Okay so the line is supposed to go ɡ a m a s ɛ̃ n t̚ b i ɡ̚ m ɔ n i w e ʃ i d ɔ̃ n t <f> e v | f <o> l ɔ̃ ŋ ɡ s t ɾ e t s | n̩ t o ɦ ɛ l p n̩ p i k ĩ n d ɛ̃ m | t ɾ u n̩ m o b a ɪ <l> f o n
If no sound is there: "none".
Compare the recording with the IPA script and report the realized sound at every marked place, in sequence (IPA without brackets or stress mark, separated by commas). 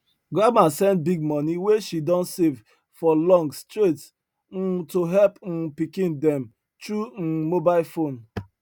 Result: s, ɔ, l